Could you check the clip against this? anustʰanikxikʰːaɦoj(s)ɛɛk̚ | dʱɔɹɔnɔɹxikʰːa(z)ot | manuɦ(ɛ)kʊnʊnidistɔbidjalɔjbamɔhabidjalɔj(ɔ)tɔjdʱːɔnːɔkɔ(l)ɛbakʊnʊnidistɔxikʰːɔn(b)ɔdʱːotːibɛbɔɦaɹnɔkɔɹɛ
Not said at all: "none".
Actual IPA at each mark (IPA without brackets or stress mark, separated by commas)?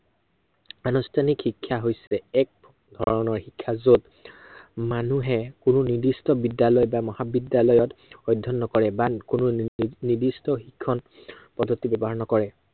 s, z, ɛ, ɔ, ɹ, p